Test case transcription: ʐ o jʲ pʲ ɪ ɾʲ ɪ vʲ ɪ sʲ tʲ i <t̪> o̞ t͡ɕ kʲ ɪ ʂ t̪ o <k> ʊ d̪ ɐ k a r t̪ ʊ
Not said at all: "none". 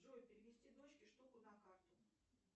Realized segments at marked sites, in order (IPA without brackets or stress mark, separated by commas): d̪, k